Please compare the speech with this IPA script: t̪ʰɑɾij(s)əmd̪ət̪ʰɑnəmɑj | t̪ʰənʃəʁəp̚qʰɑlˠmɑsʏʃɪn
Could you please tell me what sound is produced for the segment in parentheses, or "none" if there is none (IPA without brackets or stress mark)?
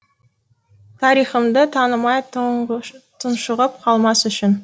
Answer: χ